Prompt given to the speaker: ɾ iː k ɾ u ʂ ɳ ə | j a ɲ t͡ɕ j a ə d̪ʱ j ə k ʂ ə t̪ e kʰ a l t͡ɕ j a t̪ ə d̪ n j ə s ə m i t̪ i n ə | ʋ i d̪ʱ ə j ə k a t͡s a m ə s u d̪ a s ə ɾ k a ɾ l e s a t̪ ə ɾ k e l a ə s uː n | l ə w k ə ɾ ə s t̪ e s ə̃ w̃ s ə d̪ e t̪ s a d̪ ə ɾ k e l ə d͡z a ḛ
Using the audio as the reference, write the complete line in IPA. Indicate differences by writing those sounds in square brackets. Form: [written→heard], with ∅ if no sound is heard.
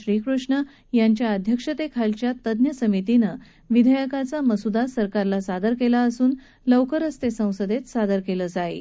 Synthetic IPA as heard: ɾ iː k ɾ u ʂ ɳ ə | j a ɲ t͡ɕ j a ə d̪ʱ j ə k ʂ ə t̪ e kʰ a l t͡ɕ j a t̪ ə d̪ n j ə s ə m i t̪ i n ə | ʋ i d̪ʱ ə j ə k a t͡s a m ə s u d̪ a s ə ɾ k a ɾ l [e→a] s a [t̪→d̪] ə ɾ k e l a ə s uː n | l ə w k ə ɾ ə s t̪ e s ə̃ w̃ s ə d̪ e t̪ s a d̪ ə ɾ k e l ə d͡z a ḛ